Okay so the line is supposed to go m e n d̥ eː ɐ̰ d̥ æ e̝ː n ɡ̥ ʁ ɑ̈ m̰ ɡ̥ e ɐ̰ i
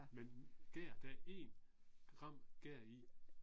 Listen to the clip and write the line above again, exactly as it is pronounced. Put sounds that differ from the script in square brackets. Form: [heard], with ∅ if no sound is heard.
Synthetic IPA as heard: m e n [ɡ̥] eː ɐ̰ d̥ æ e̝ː n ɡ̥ ʁ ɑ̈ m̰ ɡ̥ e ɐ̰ i